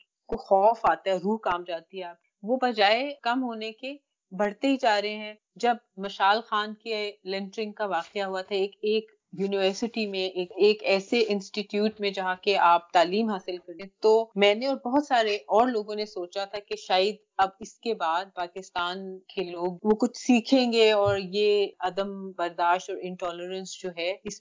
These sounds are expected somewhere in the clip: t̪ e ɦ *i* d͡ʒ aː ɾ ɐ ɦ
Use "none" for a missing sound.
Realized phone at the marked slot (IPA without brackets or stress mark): i